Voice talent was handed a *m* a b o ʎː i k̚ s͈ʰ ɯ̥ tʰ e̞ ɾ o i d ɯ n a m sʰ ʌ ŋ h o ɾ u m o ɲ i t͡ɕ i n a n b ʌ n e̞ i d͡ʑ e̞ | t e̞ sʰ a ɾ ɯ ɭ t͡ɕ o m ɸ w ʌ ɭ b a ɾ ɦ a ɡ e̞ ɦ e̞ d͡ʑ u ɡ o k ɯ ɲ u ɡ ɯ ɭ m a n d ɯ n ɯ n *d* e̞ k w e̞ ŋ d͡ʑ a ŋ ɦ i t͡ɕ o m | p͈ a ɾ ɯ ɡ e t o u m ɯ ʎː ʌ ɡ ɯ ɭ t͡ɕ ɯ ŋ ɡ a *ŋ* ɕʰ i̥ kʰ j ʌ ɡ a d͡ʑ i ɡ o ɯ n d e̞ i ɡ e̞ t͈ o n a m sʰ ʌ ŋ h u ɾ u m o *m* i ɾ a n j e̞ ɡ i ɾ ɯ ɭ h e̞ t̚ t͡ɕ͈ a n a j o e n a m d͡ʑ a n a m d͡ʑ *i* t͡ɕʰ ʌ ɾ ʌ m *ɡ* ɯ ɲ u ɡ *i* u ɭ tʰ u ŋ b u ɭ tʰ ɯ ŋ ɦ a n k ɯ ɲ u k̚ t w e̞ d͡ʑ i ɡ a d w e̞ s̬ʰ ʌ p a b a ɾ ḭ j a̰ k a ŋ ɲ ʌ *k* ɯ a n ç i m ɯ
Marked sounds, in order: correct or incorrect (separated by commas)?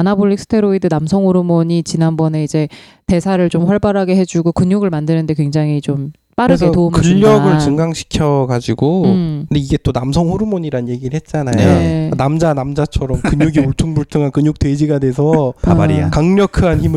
incorrect, correct, correct, incorrect, incorrect, incorrect, correct, incorrect